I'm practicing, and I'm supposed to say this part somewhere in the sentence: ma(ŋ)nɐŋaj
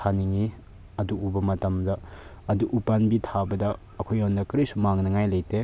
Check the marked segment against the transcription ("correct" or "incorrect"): correct